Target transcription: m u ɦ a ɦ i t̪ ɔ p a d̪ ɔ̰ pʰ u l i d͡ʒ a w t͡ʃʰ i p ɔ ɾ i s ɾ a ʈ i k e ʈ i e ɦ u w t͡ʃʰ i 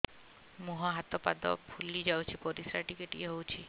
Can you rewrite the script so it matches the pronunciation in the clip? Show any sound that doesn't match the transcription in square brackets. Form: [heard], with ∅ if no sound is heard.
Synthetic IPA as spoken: m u ɦ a ɦ [a] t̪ ɔ p a d̪ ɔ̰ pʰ u l i d͡ʒ a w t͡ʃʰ i p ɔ ɾ i s ɾ a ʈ i k e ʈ i e ɦ [o] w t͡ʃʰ i